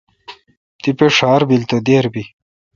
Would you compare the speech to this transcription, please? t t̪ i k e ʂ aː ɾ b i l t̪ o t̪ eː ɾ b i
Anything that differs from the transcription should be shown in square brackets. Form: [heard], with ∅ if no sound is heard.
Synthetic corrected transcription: t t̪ i [p] e ʂ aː ɾ b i l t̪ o [d̪] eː ɾ b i